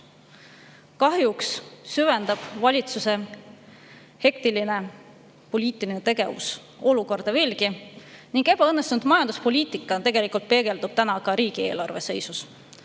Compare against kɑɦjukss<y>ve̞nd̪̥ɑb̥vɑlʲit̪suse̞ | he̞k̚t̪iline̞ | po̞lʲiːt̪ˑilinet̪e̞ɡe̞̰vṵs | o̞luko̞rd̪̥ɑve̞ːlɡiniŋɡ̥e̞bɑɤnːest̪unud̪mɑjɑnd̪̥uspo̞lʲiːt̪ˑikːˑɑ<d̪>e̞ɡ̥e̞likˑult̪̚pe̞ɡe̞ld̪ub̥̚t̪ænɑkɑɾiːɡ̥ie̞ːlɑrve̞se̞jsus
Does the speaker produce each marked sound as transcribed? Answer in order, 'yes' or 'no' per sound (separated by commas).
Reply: yes, no